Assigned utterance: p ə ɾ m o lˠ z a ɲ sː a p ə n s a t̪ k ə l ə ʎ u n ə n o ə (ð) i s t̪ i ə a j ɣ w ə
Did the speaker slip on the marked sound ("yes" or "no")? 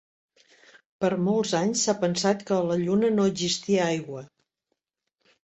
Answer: yes